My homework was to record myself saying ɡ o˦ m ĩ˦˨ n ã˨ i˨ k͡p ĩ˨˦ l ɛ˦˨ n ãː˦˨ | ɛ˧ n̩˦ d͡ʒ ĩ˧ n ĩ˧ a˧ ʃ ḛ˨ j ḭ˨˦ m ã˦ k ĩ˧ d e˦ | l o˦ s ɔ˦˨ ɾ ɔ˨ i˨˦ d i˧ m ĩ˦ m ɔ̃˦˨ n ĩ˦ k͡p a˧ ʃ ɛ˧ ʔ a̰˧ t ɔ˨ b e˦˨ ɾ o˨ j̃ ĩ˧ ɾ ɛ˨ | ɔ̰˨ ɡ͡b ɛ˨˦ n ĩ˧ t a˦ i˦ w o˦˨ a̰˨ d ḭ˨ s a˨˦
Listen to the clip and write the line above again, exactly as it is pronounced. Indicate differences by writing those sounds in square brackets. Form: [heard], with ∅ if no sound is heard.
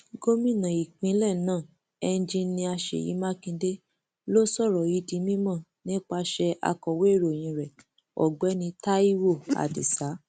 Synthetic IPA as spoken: ɡ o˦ m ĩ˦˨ n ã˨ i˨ k͡p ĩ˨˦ l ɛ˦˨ n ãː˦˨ | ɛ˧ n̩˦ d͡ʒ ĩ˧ n ĩ˧ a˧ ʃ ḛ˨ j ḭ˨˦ m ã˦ k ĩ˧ d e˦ | l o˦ s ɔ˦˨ ɾ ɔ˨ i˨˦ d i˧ m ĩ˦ m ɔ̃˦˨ n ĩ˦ k͡p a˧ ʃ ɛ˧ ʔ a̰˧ [k] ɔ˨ [w] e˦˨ ɾ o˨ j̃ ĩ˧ ɾ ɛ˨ | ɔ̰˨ ɡ͡b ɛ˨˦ n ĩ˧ t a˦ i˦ w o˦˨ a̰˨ d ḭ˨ s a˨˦